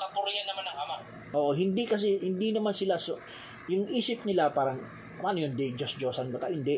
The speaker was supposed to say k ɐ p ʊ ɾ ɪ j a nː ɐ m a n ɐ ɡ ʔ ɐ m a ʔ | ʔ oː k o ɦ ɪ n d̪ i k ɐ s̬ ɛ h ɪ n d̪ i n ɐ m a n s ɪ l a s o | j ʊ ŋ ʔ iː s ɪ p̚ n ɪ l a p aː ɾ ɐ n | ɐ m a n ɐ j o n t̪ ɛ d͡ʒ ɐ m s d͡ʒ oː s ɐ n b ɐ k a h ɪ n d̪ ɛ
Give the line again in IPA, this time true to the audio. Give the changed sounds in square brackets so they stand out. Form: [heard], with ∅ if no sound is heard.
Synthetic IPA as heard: k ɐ p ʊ ɾ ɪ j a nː ɐ m a n ɐ [ŋ] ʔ ɐ m a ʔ | ʔ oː [ʔ] o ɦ ɪ n d̪ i k ɐ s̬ ɛ h ɪ n d̪ i n ɐ m a n s ɪ l a s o | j ʊ ŋ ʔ iː s ɪ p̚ n ɪ l a p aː ɾ ɐ [ŋ] | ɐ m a n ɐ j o n [d̪] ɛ d͡ʒ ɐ [∅] s d͡ʒ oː s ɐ n b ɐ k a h ɪ n d̪ ɛ